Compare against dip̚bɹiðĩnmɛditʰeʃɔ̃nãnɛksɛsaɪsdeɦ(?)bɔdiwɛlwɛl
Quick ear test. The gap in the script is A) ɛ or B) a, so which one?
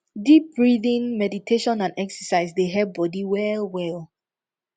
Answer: A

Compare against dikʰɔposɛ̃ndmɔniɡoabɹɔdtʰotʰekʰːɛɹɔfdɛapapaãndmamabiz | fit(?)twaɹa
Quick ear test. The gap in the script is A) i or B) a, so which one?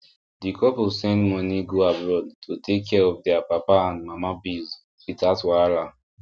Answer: B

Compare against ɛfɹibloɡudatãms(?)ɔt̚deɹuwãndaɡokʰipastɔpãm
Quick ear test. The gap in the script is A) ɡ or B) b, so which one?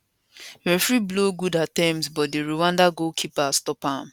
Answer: B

